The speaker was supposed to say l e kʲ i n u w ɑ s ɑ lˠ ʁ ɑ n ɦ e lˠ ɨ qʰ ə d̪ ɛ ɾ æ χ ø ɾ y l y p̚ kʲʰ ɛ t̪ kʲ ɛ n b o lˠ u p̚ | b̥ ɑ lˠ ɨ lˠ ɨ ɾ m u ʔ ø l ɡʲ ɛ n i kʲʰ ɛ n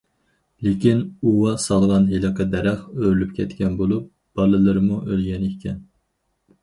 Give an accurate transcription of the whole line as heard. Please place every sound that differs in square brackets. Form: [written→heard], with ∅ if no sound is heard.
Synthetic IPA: l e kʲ i n u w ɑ s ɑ lˠ ʁ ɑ n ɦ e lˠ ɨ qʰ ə d̪ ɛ ɾ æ χ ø ɾ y l y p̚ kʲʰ ɛ t̪ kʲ ɛ n b o lˠ u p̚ | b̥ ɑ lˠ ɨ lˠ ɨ ɾ m u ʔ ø l ɡʲ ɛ n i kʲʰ ɛ n